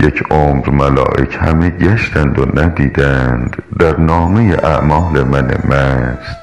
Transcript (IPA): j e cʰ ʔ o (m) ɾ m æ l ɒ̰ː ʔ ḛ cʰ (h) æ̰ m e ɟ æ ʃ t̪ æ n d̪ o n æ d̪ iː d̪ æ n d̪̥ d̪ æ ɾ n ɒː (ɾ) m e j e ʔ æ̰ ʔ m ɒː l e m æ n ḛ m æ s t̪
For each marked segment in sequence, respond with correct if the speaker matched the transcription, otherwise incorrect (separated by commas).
correct, correct, incorrect